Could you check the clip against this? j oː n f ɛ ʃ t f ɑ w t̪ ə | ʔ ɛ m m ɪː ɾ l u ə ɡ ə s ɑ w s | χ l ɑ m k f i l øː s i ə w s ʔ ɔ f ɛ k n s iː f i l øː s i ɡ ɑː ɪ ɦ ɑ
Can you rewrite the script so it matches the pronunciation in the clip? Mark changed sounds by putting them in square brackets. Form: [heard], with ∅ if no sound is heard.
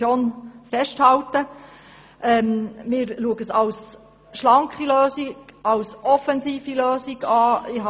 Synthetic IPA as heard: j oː n f ɛ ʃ t [h] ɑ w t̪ ə | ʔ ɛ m m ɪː ɾ l u ə ɡ ə s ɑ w s | [ʃ] l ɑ [ŋ] k [χ] i l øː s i [ɑ] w s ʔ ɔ f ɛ [∅] n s iː f i l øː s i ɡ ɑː ɪ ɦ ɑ

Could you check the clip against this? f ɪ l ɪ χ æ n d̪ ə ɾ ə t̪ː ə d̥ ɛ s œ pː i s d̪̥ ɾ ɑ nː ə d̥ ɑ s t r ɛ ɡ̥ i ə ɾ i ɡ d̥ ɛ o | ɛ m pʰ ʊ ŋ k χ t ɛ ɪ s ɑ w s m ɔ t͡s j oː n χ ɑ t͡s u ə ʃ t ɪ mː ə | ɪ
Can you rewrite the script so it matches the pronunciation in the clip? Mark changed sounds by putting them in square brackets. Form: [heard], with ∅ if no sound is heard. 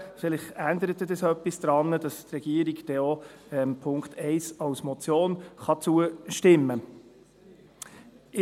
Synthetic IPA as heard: f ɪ l ɪ χ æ n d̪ ə ɾ ə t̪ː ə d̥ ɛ s œ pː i s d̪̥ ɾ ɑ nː ə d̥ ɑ s t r ɛ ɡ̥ i ə ɾ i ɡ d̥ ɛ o | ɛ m pʰ ʊ ŋ k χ t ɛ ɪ s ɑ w s m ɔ t͡s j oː n χ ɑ t͡s u ə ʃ t ɪ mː ə | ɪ

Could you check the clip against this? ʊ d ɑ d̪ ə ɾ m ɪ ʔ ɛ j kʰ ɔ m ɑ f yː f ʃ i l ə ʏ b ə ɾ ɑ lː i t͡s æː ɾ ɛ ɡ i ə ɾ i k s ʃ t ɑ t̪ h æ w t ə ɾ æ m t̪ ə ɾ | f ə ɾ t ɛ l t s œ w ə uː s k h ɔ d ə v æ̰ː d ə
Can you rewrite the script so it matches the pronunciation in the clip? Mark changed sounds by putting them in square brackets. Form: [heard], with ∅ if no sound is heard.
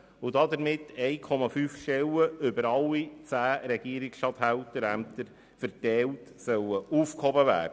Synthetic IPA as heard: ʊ d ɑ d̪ ə ɾ m ɪ [t] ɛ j kʰ ɔ m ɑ f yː f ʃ [ɛ] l ə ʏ b ə ɾ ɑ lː i t͡s æː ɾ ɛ ɡ i ə ɾ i k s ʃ t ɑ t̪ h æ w t ə ɾ æ m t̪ ə ɾ | f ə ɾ t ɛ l t s œ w ə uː [f] k h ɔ [b] ə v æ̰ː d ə

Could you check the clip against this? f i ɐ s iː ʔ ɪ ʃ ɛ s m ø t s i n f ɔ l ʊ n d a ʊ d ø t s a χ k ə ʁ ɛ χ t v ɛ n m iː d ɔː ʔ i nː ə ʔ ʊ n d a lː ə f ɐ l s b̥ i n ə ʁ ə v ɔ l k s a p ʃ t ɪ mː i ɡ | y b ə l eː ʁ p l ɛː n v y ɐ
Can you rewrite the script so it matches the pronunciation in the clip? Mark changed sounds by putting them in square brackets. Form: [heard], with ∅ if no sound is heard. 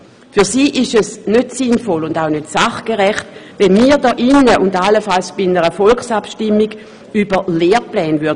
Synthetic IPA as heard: f [y] ɐ s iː ʔ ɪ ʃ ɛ s [n] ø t s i n f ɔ l ʊ n d a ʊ [n] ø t s a χ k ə ʁ ɛ χ t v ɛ n m iː d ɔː ʔ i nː ə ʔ ʊ n d a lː ə f [a] l s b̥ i n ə ʁ ə [f] ɔ l k s a p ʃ t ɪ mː i ɡ | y b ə l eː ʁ p l ɛː n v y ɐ

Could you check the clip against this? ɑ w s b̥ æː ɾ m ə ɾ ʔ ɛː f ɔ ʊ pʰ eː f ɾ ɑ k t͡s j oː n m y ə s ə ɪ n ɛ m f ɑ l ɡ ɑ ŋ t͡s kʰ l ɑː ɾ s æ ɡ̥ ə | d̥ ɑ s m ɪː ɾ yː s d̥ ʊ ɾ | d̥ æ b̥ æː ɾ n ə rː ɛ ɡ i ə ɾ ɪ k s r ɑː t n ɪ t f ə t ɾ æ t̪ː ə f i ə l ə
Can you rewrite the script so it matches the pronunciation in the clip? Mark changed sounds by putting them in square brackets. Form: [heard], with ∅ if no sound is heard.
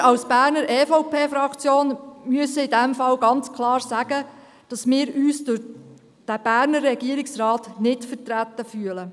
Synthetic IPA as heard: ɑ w s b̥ æː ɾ [n] ə ɾ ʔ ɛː f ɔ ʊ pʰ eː f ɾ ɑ k t͡s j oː n m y ə s ə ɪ [d] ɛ m f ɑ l ɡ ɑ [n] t͡s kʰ l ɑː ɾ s æ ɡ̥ ə | d̥ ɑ s m ɪː ɾ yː s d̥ ʊ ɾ | d̥ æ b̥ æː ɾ n ə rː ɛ ɡ i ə ɾ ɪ k s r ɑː t n ɪ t f ə t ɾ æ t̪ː ə f [y] ə l ə

